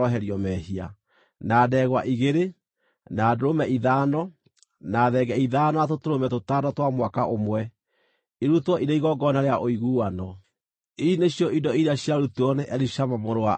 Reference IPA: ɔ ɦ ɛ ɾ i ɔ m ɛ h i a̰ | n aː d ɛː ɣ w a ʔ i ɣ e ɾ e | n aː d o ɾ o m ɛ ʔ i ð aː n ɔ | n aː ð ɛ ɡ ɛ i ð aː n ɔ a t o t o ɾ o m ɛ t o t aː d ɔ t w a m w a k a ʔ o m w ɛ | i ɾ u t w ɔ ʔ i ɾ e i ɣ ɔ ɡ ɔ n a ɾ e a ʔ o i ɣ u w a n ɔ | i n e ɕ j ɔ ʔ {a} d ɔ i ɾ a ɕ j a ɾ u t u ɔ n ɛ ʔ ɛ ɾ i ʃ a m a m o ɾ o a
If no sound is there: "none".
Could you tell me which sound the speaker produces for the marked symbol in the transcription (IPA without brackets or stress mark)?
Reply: i